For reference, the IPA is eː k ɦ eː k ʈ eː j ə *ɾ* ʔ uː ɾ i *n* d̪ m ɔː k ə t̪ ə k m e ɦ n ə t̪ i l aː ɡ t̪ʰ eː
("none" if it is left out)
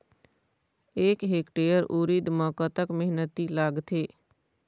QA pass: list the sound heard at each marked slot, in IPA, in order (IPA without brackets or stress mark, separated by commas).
ɾ, none